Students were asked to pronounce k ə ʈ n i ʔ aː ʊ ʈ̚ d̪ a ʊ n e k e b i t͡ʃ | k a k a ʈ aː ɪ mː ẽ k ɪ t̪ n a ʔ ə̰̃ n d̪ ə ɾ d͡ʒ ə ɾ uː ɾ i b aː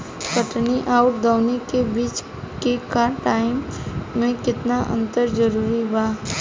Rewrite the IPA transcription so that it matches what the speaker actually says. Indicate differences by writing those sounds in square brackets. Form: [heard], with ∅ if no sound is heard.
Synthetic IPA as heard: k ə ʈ n i ʔ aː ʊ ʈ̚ d̪ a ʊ n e k e b [iː] t͡ʃ | k [e] k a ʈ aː ɪ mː ẽ k ɪ t̪ n a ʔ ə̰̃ n [t̪] ə ɾ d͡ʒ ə ɾ uː ɾ i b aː